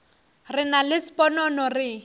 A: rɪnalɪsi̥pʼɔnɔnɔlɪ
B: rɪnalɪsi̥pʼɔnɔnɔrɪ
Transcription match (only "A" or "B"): B